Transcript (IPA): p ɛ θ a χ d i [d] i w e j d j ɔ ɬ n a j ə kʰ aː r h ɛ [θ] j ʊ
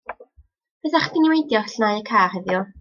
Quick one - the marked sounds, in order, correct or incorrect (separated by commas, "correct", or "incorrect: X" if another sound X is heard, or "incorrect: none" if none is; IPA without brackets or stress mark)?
incorrect: n, incorrect: ð